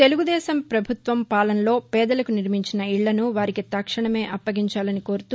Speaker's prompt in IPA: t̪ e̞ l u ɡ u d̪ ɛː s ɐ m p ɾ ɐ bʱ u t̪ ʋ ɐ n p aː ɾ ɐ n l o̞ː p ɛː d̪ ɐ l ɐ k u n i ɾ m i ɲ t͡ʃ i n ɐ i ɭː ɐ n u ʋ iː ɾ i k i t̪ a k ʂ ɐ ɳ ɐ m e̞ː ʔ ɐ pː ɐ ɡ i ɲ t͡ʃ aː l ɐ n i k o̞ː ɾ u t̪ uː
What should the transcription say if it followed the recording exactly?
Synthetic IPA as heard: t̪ e̞ l u ɡ u d̪ ɛː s ɐ m p ɾ ɐ bʱ u t̪ ʋ ɐ m p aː l ɐ n l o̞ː p ɛː d̪ ɐ l ɐ k u n i ɾ m i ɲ t͡ʃ i n ɐ i ɭː ɐ n u ʋ aː ɾ i k i t̪ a k ʂ ɐ ɳ ɐ m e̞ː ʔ ɐ pː ɐ ɡ i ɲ t͡ʃ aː l ɐ n i k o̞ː ɾ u t̪ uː